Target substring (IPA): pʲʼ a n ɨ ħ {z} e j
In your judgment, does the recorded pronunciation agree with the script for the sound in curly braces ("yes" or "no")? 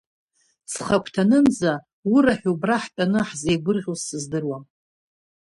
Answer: yes